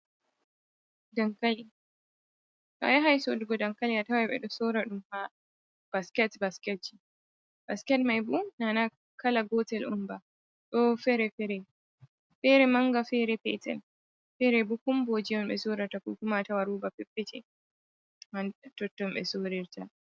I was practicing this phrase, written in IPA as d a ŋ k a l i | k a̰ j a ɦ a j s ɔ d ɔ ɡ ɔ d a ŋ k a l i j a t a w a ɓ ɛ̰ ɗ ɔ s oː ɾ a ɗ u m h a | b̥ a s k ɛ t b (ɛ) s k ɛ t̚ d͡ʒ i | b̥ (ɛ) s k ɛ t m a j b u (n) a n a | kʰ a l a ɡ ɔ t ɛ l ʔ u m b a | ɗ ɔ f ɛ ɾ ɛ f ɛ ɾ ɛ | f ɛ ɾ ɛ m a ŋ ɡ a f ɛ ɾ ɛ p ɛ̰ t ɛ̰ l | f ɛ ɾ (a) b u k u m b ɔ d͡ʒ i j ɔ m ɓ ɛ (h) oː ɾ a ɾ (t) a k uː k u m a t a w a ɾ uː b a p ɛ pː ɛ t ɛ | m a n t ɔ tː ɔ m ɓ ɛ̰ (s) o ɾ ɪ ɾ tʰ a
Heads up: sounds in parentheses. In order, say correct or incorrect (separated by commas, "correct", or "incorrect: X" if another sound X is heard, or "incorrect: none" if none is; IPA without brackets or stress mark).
incorrect: a, incorrect: a, correct, incorrect: ɛ, incorrect: s, correct, correct